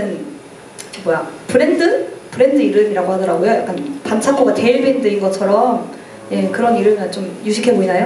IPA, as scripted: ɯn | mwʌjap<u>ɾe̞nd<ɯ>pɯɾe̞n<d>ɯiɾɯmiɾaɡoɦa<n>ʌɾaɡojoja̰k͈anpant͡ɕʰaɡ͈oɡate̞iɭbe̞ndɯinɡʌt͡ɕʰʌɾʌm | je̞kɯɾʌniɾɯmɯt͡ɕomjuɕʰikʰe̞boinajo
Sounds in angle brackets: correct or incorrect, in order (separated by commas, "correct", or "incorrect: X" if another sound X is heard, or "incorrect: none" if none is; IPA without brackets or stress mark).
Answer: incorrect: ɯ, correct, correct, incorrect: d